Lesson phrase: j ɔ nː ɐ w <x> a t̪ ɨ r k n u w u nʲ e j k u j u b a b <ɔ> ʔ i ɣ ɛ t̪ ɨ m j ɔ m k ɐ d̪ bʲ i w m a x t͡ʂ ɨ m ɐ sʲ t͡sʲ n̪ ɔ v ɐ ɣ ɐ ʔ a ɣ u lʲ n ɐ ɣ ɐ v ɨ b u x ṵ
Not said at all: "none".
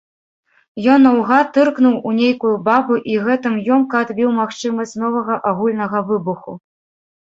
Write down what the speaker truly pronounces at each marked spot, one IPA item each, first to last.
ɣ, u

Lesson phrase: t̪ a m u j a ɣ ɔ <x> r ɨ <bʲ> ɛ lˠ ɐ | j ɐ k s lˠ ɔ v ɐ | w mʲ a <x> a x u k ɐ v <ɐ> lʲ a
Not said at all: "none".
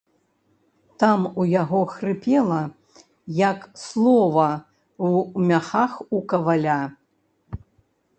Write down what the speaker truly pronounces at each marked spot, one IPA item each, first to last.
x, pʲ, x, a

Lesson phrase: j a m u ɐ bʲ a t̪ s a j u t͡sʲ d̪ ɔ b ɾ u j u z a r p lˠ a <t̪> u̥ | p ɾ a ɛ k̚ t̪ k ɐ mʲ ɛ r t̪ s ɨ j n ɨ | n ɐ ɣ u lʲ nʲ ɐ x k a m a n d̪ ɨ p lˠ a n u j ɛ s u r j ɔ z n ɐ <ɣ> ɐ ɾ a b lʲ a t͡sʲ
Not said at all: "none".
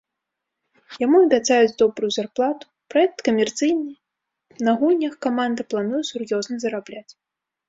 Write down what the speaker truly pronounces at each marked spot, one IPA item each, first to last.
t̪, z

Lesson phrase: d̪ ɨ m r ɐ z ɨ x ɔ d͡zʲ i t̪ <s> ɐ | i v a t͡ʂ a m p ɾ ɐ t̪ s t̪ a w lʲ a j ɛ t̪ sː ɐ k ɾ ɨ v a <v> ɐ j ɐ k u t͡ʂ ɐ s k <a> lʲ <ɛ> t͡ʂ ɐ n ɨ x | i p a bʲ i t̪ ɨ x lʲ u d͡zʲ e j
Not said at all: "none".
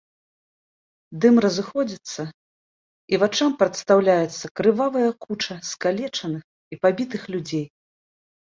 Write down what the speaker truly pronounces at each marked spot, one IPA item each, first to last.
sː, v, a, ɛ

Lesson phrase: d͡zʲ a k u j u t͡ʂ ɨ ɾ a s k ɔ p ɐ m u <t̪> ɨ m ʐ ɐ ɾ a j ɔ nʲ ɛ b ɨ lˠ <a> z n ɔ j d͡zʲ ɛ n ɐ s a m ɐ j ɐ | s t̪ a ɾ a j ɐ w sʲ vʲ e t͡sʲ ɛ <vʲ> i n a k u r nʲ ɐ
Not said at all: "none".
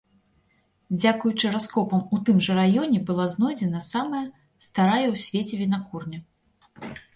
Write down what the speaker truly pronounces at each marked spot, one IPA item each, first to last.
t̪, a, vʲ

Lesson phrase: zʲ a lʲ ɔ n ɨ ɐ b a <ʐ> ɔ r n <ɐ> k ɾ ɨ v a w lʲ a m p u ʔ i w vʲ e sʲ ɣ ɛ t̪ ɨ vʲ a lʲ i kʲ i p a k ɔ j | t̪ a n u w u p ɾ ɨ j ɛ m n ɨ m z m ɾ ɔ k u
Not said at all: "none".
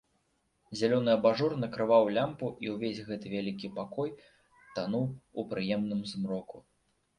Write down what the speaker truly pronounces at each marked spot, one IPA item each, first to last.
ʐ, ɐ

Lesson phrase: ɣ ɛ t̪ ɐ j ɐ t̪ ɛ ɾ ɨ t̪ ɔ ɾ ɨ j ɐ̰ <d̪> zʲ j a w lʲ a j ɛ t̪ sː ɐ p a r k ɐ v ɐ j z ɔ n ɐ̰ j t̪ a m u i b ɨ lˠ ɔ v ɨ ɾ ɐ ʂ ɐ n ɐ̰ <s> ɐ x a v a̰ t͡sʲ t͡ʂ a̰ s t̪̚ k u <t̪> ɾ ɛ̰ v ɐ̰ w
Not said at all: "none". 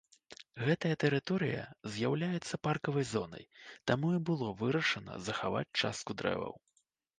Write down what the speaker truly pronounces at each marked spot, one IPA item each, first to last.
none, z, d̪

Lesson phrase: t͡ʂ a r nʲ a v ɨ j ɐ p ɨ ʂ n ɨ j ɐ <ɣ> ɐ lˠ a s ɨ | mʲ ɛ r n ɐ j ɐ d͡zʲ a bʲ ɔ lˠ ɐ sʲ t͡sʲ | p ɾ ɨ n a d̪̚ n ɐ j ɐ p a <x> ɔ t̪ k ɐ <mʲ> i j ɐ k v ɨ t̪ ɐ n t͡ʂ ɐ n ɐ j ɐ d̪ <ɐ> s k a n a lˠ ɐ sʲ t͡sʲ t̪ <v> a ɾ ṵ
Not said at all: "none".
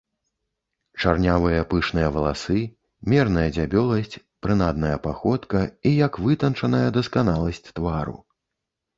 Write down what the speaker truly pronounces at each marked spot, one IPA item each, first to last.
v, x, none, ɐ, v

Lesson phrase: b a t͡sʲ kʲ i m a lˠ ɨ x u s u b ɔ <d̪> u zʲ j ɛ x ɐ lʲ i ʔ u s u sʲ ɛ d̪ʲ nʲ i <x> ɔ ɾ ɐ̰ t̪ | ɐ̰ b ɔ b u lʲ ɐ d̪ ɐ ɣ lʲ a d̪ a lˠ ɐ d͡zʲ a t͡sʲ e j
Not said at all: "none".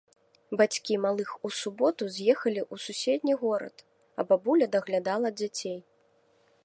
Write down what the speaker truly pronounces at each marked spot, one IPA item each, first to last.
t̪, ɣ

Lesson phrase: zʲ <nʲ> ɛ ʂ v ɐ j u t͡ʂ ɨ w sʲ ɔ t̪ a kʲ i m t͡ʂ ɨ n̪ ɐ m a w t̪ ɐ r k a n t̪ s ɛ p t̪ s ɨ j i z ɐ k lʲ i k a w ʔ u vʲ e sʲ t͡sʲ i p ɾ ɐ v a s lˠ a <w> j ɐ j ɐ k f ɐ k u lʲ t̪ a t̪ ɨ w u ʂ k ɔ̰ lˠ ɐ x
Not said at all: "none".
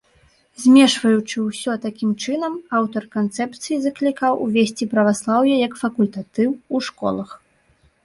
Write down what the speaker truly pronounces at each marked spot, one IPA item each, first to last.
mʲ, w

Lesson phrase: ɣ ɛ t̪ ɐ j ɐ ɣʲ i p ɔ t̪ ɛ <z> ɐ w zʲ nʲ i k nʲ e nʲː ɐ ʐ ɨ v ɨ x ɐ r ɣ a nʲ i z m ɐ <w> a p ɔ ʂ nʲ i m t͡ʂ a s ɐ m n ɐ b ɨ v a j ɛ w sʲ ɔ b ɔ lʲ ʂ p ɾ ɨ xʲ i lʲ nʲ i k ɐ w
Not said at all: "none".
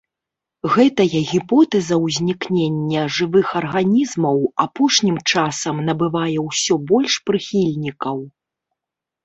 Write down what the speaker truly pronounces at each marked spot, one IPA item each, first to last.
z, w

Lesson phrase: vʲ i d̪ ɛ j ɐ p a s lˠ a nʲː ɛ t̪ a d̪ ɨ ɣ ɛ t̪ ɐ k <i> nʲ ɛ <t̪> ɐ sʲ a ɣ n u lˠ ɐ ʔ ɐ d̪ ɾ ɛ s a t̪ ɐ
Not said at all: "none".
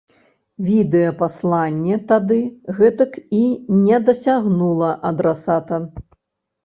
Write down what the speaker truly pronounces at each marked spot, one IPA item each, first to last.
i, d̪

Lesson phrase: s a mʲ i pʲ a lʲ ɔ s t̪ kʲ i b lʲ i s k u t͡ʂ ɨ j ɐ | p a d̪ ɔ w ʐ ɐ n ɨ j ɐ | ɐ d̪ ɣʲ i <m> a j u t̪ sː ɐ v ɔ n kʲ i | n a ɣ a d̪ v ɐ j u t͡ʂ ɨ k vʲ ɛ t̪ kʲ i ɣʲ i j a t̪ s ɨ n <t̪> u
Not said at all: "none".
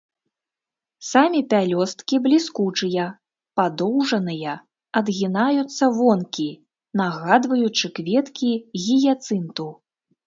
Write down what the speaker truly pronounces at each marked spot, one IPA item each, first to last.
n, t̪

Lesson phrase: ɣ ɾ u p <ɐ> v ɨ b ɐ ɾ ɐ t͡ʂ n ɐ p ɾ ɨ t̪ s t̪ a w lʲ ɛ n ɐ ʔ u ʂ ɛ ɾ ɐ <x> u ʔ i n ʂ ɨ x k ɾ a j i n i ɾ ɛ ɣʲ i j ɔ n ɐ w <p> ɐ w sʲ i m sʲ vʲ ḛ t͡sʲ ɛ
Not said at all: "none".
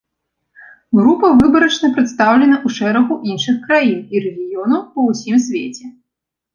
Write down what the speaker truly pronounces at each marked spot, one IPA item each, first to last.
ɐ, ɣ, p

